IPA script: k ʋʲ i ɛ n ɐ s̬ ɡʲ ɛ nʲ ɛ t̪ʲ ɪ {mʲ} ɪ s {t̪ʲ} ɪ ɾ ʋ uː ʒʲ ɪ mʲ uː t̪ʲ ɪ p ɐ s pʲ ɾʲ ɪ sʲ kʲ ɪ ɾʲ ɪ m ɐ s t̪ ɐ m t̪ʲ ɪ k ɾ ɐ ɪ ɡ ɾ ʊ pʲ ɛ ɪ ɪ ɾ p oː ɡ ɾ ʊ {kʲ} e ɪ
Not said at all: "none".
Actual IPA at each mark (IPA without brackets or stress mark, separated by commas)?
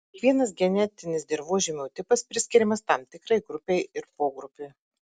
nʲ, d̪ʲ, pʲ